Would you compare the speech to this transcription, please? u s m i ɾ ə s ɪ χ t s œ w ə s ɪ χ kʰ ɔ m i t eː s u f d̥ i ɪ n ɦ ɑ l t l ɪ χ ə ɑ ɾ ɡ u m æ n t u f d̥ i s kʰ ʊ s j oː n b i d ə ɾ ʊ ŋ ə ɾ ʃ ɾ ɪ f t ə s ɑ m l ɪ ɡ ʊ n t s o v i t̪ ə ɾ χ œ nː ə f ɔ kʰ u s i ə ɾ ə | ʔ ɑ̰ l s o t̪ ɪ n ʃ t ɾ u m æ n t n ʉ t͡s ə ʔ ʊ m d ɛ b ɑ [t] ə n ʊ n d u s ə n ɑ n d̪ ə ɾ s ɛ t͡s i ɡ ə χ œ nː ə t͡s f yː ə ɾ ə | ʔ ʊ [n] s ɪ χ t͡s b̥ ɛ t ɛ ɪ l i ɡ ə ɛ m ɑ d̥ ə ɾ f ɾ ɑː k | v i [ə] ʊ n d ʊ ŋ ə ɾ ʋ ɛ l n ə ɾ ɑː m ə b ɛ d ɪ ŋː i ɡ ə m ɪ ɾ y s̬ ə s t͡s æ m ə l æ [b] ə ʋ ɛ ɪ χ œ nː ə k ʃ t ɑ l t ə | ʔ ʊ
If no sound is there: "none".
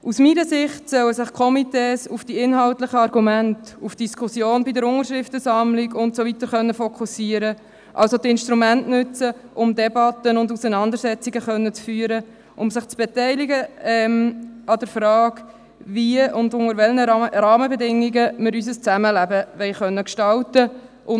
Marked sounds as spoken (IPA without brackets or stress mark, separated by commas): t, m, ə, b